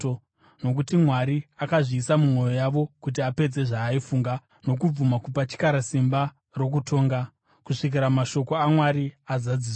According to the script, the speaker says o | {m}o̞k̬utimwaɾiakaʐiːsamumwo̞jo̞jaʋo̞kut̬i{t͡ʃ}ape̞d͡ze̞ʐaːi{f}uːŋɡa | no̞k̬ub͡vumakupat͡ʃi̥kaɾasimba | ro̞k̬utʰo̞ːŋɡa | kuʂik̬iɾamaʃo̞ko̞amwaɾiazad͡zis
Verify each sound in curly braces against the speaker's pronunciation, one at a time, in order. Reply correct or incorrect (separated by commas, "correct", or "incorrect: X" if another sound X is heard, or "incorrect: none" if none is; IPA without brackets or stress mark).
incorrect: n, incorrect: none, correct